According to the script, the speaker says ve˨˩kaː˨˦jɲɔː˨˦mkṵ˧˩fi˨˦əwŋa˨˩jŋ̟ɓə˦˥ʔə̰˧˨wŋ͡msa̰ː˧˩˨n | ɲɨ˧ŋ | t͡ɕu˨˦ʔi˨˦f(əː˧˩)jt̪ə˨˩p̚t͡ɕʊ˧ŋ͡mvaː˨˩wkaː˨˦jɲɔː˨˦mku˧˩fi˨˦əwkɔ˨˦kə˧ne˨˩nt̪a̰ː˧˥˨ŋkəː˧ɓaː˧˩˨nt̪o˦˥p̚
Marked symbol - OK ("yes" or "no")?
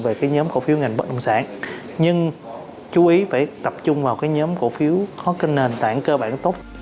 no